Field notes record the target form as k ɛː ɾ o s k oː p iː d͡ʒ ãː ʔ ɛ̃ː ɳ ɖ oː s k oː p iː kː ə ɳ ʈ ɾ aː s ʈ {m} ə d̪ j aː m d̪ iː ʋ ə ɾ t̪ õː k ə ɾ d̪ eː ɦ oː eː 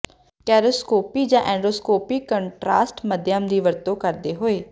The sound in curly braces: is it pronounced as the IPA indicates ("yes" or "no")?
yes